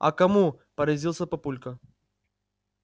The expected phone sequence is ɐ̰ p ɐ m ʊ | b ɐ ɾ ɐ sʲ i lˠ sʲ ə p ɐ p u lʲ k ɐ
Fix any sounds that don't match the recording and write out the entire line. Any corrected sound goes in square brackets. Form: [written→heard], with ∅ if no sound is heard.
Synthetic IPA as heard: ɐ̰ [p→k] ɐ m [ʊ→u] | [b→p] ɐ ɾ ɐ [sʲ→zʲ] i lˠ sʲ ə p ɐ p u lʲ k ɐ